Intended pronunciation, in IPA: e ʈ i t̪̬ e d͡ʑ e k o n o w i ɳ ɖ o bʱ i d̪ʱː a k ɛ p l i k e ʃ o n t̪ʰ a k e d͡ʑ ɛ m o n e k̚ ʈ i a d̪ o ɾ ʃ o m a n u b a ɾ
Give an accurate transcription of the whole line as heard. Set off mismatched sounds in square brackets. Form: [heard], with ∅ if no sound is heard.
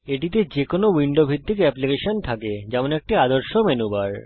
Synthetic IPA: e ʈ i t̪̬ e d͡ʑ e k o n o w i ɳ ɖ o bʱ i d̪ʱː [i] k ɛ p l i k e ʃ o n t̪ʰ a k e d͡ʑ ɛ m o n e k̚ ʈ i a d̪ o ɾ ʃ o m [e] n u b a ɾ

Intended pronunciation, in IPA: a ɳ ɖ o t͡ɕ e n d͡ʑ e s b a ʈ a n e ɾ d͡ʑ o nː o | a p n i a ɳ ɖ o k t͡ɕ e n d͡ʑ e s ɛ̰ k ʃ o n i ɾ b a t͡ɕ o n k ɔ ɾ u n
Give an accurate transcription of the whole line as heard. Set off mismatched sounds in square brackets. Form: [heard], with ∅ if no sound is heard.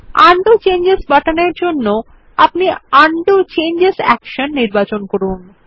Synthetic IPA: a ɳ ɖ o t͡ɕ e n d͡ʑ e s b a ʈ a n e ɾ d͡ʑ o nː o | a p n i a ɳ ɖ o [∅] t͡ɕ e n d͡ʑ e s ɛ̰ k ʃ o [nː] i ɾ b a t͡ɕ o n k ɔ ɾ u n

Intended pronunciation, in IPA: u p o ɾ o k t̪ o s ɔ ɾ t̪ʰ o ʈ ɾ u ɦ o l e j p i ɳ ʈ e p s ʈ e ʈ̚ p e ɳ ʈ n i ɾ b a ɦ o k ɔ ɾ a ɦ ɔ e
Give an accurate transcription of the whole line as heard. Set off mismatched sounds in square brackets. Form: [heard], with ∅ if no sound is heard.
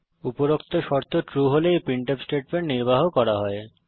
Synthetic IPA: u p o ɾ o k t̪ o [ʃ] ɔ ɾ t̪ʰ o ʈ ɾ u ɦ o l e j p i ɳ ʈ e p s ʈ e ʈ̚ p e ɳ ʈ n i ɾ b a ɦ o k ɔ ɾ a ɦ ɔ e

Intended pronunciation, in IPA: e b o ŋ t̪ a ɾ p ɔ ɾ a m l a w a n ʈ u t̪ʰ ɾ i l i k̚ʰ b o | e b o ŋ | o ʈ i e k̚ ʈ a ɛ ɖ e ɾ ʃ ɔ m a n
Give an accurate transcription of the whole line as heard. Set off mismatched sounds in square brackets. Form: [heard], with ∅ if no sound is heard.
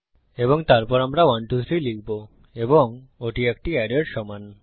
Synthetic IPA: e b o ŋ t̪ a ɾ p ɔ ɾ a m [ɾ] a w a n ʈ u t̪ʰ ɾ i l i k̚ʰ b o | e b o ŋ | o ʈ i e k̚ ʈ [i] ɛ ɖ e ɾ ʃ ɔ m a n

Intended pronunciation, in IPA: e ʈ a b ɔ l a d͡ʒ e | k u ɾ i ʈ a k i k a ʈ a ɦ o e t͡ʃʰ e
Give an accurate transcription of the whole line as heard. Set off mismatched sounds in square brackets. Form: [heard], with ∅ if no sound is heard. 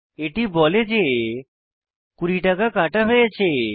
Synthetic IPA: e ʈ [i] b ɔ l [e] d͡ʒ e | k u ɾ i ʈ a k [a] k a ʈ a ɦ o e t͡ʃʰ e

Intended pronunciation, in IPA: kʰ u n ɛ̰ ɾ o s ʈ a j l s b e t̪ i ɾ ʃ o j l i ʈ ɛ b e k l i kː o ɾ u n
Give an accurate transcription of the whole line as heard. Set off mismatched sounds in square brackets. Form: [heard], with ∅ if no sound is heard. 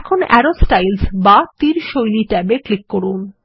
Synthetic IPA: kʰ [o] n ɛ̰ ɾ o s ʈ a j l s b [a] t̪ i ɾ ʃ o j l i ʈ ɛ b e k l i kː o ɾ u n

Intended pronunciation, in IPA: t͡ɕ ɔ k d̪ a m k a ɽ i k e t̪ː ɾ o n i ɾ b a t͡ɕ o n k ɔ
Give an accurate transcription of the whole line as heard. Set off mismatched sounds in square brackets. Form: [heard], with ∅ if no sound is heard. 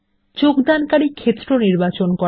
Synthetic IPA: t͡ɕ [o] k d̪ a [n] k a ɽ i [kʰ] e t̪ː ɾ o n i ɾ b a t͡ɕ o n k ɔ

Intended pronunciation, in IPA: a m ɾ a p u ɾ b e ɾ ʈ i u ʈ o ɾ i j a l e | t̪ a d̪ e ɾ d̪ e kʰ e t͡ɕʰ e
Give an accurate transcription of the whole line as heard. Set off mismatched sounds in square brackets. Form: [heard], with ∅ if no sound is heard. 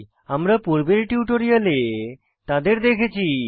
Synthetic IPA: a m ɾ a p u ɾ b e ɾ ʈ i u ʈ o ɾ i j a l e | t̪ a d̪ e ɾ d̪ e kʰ e t͡ɕʰ [i]

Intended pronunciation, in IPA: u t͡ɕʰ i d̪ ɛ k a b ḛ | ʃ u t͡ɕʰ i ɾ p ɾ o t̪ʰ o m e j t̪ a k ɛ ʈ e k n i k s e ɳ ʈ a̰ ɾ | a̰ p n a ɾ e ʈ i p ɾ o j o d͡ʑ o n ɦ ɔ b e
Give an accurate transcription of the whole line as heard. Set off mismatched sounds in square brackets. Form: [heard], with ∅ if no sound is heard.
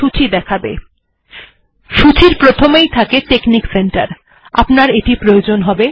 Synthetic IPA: u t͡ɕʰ i d̪ ɛ [kʰ] a b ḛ | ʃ u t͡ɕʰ i ɾ p ɾ o t̪ʰ o m e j [t̪ʰ] a k [e] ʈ e k n i k s e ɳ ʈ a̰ ɾ | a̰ p n a ɾ e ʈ i p ɾ o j o d͡ʑ o n ɦ ɔ b e

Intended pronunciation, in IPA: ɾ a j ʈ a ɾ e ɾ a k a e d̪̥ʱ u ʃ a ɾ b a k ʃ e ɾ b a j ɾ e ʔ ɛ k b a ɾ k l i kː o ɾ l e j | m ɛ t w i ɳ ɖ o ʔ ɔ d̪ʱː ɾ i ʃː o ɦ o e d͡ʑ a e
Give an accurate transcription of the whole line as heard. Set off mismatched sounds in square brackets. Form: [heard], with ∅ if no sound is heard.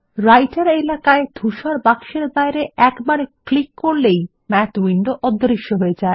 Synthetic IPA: ɾ a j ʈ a ɾ e [l] a k a e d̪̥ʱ u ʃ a ɾ b a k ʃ e ɾ b a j ɾ e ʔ ɛ k b a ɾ k l i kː o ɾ l e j | m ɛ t w i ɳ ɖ o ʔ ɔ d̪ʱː ɾ i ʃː o ɦ o e d͡ʑ a e

